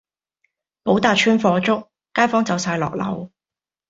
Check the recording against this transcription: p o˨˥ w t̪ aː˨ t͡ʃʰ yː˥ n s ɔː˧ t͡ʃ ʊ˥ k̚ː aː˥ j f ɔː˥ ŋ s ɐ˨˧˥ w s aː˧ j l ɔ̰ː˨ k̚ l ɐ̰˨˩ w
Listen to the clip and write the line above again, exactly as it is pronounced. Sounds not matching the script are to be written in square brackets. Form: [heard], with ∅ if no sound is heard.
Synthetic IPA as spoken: p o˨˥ w t̪ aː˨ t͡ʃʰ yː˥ n [f] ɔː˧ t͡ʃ ʊ˥ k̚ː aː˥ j f ɔː˥ ŋ [t͡s] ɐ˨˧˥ w s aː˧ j l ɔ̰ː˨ k̚ l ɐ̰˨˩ w